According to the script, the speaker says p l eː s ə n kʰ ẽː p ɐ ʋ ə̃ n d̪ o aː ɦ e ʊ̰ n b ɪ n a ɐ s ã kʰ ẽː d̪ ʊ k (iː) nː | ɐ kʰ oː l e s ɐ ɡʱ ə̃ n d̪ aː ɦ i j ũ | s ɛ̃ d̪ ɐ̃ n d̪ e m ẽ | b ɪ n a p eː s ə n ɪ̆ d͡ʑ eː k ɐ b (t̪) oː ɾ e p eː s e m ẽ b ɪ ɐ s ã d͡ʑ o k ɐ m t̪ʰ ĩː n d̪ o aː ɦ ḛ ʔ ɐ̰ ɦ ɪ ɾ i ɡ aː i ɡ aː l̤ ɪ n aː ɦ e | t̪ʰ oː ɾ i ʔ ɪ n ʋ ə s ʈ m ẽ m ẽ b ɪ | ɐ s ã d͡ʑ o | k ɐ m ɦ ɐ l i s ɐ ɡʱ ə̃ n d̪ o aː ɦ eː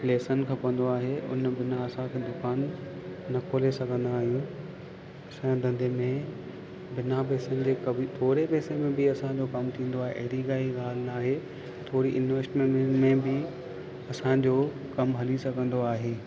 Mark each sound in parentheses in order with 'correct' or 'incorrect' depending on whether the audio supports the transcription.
incorrect: aː, incorrect: t̪ʰ

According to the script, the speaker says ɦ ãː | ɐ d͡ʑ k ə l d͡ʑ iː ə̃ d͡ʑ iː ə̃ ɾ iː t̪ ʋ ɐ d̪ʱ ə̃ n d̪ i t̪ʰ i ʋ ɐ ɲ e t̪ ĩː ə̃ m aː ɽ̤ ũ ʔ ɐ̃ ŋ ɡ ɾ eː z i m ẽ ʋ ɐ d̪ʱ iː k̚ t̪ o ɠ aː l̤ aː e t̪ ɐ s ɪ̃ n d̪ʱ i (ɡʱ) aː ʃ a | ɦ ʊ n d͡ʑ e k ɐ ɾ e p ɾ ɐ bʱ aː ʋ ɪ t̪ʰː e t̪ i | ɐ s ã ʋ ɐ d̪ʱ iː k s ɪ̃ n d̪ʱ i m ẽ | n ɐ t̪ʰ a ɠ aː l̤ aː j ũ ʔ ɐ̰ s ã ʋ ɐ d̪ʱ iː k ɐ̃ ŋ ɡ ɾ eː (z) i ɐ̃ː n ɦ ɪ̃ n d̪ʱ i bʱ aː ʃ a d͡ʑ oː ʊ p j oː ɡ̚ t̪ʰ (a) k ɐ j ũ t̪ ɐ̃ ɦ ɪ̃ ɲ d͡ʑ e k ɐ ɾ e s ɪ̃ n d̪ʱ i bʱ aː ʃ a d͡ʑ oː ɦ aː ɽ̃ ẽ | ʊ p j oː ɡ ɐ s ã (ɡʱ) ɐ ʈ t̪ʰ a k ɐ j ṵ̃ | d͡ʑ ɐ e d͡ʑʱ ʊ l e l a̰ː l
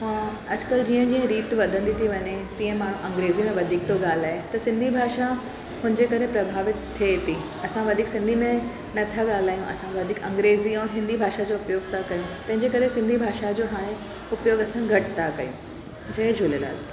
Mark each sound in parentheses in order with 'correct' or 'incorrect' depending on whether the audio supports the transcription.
incorrect: bʱ, correct, correct, correct

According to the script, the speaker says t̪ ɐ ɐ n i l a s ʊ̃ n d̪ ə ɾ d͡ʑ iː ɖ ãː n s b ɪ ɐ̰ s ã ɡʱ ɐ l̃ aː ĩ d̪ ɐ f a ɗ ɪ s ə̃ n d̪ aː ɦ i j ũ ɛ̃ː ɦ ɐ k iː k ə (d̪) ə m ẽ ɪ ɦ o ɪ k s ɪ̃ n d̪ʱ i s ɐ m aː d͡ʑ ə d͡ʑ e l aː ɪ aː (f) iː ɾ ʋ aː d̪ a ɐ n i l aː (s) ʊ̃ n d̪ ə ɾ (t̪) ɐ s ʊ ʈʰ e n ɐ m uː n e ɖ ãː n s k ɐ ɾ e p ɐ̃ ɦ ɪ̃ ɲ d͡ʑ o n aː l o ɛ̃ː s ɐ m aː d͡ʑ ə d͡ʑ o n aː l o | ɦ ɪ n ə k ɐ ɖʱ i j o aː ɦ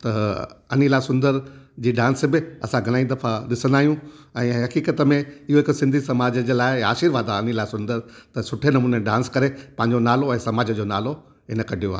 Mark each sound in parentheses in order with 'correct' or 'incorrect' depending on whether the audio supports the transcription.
incorrect: t̪, incorrect: ʃ, correct, correct

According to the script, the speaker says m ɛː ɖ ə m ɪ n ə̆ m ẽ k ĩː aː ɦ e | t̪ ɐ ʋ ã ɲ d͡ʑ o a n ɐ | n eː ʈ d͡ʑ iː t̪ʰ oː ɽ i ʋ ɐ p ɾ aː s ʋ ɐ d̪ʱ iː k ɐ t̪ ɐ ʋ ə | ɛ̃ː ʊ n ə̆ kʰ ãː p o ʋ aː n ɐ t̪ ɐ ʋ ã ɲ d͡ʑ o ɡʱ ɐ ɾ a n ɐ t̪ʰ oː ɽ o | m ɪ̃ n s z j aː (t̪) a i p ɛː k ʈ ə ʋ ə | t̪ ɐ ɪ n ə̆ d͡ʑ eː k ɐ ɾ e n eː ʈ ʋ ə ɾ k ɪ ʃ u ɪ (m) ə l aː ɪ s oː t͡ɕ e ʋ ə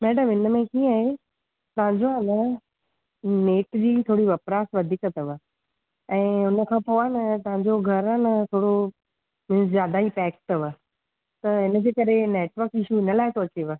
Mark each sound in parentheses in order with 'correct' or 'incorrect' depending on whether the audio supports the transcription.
incorrect: d̪, incorrect: n

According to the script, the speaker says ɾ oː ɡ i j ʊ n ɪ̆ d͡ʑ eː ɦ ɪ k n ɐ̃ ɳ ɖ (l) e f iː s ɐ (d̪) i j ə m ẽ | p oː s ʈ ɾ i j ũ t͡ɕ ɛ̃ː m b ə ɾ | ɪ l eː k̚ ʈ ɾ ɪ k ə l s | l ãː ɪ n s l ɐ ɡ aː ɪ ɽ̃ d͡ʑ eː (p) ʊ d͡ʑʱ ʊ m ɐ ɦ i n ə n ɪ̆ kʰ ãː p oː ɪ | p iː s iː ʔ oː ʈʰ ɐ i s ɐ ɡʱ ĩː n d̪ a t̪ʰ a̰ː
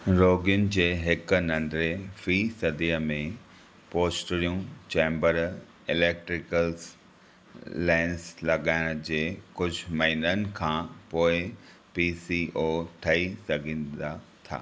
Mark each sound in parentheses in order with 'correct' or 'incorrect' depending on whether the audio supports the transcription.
incorrect: ɾ, correct, incorrect: k

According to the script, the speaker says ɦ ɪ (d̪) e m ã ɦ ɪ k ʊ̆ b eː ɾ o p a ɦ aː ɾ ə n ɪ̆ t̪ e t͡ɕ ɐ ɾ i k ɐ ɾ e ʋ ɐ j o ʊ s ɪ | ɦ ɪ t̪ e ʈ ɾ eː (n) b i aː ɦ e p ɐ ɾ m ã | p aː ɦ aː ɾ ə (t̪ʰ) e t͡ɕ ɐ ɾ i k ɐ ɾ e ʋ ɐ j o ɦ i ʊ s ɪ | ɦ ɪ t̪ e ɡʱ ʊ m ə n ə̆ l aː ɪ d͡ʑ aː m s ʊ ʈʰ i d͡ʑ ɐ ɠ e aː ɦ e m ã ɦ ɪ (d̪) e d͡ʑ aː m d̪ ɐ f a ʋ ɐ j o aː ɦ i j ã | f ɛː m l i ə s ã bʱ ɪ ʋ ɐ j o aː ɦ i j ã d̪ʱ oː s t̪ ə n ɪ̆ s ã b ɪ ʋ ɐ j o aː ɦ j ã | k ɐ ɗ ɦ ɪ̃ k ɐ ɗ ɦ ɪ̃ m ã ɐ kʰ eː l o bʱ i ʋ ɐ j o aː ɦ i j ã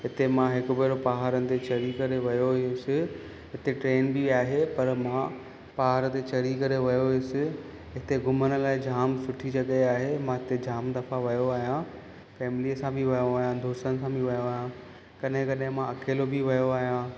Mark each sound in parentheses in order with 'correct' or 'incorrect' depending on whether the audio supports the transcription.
incorrect: t̪, correct, incorrect: t̪, incorrect: t̪

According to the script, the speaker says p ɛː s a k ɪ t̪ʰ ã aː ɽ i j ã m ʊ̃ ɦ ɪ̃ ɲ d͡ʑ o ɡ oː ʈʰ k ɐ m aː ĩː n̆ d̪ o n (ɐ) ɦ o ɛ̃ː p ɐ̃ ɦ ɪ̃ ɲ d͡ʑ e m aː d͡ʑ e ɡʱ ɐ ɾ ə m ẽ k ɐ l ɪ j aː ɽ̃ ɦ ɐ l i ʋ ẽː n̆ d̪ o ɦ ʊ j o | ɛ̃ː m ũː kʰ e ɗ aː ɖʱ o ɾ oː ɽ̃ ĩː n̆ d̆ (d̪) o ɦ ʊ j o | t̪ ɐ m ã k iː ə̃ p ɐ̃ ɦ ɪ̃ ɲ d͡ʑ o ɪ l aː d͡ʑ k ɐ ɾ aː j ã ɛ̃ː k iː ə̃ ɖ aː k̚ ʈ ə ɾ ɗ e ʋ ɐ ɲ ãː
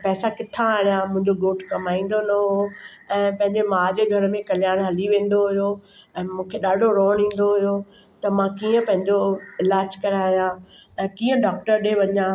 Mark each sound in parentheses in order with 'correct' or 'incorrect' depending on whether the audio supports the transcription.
correct, correct

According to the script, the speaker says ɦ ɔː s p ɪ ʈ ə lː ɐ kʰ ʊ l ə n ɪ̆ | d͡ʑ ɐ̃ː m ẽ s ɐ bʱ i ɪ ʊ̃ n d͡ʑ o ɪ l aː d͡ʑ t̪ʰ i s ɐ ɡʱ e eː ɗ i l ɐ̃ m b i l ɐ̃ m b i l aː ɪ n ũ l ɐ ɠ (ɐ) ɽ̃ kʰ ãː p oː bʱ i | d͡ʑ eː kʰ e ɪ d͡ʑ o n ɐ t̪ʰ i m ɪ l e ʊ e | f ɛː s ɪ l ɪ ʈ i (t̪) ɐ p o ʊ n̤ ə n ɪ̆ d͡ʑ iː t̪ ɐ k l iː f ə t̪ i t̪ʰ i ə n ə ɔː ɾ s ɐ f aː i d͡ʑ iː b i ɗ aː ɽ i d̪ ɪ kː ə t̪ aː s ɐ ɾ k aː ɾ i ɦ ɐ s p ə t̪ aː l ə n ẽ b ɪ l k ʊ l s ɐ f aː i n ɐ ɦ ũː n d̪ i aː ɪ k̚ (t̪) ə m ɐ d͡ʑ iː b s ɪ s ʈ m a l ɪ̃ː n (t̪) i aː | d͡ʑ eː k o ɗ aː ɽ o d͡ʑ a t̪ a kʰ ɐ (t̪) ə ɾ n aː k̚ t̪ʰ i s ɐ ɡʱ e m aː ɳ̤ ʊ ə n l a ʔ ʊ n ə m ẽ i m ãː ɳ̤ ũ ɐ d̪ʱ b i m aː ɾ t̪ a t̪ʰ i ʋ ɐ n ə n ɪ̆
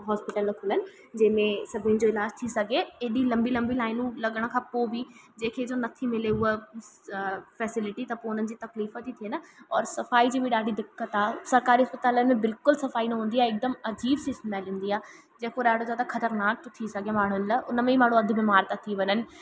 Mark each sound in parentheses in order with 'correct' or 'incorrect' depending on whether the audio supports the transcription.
incorrect: ə, correct, incorrect: d̪, incorrect: d̪, correct

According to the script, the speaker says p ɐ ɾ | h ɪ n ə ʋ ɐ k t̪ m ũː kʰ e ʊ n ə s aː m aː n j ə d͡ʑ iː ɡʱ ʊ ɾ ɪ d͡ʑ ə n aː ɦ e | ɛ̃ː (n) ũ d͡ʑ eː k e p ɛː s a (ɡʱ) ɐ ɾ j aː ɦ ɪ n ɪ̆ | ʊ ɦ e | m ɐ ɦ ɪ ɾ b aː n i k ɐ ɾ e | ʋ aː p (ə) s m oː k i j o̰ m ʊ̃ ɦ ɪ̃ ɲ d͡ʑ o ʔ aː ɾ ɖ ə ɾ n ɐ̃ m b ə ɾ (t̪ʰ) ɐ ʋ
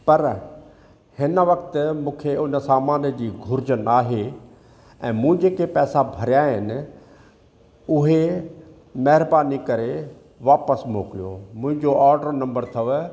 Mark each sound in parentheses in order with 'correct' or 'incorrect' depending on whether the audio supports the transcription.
incorrect: m, incorrect: bʱ, correct, correct

